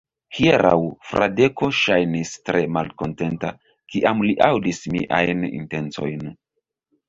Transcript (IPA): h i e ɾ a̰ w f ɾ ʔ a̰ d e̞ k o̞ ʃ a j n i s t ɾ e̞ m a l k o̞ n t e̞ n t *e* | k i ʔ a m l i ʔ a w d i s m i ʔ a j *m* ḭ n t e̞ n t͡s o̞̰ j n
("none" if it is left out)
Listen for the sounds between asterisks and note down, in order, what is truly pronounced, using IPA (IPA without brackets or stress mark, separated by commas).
a, n